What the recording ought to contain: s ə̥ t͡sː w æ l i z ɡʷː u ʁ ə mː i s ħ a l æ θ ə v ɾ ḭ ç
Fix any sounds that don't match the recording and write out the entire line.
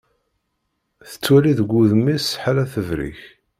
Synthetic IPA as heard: θ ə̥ t͡sː w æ l i ð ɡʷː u ð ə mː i s ħ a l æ θ ə v ɾ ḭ ç